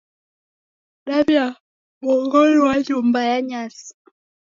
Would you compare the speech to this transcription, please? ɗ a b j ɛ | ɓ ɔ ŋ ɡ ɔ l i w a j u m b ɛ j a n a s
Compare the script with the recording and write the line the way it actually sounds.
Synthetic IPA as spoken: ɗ a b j a | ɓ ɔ ŋ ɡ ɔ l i w a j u m b a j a ɲ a s